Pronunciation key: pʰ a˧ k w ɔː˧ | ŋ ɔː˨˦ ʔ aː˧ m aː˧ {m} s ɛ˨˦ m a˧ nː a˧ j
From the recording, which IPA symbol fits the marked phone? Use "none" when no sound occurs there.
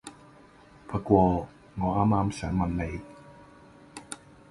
m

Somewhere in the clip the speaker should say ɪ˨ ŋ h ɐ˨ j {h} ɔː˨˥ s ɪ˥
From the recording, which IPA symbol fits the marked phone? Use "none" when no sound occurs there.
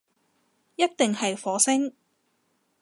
f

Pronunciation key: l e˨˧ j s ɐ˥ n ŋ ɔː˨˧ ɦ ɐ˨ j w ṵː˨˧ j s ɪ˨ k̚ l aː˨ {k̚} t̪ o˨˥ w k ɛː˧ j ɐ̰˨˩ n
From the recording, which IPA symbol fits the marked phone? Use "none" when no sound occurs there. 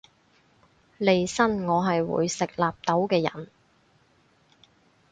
p̚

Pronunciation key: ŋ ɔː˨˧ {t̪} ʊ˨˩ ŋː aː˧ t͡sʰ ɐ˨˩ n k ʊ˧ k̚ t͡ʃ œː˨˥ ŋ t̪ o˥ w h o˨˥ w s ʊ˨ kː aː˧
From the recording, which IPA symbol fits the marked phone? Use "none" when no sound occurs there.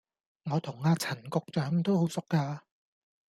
t̪ʰ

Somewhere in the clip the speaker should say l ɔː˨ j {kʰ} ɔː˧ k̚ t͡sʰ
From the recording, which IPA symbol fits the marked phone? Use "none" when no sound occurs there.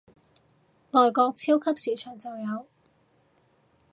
k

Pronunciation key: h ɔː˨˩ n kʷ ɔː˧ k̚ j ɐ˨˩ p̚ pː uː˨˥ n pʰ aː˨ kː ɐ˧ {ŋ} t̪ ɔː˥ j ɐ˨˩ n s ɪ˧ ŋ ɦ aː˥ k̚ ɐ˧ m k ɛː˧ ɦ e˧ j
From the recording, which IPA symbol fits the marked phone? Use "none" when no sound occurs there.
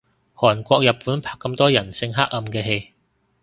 m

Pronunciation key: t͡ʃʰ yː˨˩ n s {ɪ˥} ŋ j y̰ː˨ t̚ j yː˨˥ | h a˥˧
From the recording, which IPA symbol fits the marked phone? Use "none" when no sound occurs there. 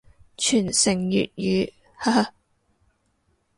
ɪ˨˩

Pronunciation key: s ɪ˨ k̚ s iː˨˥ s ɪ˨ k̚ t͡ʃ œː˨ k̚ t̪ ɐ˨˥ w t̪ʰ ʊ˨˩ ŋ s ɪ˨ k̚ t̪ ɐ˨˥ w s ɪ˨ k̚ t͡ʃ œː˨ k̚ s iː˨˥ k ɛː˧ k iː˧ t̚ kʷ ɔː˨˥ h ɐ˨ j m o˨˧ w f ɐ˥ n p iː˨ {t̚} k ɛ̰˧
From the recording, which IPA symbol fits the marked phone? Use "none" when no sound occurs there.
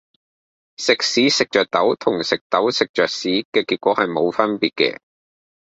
t̚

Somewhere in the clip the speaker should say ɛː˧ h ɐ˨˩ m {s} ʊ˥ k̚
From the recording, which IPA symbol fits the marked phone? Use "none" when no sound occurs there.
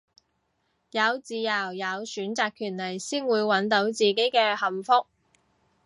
f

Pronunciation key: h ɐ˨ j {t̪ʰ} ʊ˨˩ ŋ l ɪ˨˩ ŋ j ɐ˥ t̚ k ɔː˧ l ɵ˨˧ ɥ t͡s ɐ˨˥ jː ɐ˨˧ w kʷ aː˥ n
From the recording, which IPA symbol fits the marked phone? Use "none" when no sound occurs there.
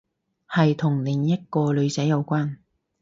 t̪ʰ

